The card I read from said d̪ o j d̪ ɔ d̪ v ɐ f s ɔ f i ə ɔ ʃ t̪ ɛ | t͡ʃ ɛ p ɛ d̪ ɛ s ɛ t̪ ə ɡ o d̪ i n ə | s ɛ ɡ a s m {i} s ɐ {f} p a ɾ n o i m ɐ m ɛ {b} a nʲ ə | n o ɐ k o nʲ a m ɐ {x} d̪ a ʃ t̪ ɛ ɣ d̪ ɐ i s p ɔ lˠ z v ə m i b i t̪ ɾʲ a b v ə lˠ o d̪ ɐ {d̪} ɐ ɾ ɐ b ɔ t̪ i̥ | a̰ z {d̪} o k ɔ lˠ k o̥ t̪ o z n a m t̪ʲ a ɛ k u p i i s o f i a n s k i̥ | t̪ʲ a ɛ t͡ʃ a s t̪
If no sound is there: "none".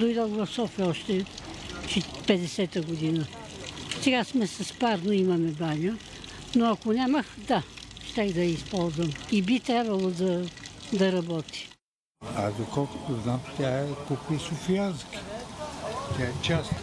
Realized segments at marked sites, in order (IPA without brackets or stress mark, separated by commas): ɛ, s, b, x, d̪, d̪